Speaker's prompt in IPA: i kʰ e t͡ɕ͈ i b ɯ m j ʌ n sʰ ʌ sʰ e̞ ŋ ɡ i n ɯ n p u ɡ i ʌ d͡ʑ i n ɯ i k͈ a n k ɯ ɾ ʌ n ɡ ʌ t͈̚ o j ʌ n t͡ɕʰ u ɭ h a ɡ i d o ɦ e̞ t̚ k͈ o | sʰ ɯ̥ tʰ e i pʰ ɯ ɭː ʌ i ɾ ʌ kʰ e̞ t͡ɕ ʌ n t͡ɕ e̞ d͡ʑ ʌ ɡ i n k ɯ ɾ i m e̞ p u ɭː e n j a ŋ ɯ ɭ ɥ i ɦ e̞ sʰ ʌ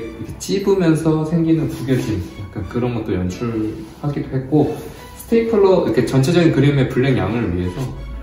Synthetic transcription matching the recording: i kʰ e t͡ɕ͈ i b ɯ m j ʌ n sʰ ʌ sʰ e̞ ŋ ɡ i n ɯ n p u ɡ j ʌ d͡ʑ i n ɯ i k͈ a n k ɯ ɾ ʌ n ɡ ʌ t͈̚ o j ʌ n t͡ɕʰ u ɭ h a ɡ i d o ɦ e̞ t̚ k͈ o | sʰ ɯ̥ tʰ e i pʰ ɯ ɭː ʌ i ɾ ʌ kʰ e̞ t͡ɕ ʌ n t͡ɕʰ e̞ d͡ʑ ʌ ɡ i n k ɯ ɾ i m e̞ p u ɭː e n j a ŋ ɯ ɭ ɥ i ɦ e̞ sʰ ʌ